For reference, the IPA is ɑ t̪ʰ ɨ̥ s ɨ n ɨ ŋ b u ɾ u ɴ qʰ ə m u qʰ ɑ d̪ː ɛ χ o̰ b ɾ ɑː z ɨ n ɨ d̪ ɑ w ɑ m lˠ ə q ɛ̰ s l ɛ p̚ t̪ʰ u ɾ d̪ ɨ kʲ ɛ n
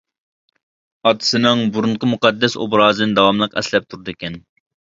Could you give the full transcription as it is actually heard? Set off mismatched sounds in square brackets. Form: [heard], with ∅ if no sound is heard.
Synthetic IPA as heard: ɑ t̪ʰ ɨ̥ s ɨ n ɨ ŋ b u ɾ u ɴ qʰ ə m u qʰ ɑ d̪ː ɛ [s] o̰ b ɾ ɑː z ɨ n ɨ d̪ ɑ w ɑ m lˠ ə q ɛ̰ s l ɛ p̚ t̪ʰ u ɾ d̪ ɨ kʲ ɛ n